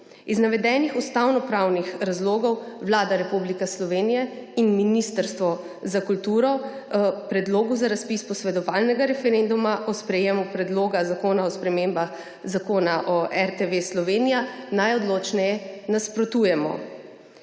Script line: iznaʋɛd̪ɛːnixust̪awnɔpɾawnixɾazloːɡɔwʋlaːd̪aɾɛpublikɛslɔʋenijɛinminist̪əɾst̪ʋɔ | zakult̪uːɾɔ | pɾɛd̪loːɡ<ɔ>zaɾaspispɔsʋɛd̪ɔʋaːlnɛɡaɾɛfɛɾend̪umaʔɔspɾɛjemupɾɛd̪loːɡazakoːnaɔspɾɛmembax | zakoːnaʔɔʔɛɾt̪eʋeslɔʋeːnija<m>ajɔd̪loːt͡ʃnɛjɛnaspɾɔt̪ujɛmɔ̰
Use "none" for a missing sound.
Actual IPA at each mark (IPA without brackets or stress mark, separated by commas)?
u, n